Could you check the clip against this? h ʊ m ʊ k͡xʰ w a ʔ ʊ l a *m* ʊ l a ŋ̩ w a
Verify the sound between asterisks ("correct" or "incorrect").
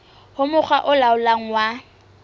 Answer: incorrect